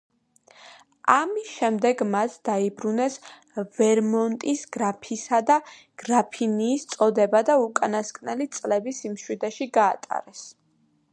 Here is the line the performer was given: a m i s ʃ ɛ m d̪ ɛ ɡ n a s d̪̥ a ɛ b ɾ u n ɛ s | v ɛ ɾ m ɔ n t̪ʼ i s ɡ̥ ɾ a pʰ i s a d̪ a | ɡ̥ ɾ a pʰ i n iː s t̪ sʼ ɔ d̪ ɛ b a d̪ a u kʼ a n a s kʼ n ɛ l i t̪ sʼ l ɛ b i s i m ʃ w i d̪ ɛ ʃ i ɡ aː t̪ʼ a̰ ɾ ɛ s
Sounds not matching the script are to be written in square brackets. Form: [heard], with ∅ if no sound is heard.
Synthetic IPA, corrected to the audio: a m i s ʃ ɛ m d̪ ɛ ɡ [m] a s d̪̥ a [i] b ɾ u n ɛ s | v ɛ ɾ m ɔ n t̪ʼ i s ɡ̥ ɾ a pʰ i s a d̪ a | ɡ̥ ɾ a pʰ i n iː s t̪ sʼ ɔ d̪ ɛ b a d̪ a u kʼ a n a s kʼ n ɛ l i t̪ sʼ l ɛ b i s i m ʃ w i d̪ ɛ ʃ i ɡ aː t̪ʼ a̰ ɾ ɛ s